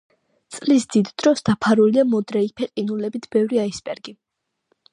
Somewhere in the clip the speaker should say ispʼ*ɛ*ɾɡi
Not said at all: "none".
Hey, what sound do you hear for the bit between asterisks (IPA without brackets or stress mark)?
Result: ɛ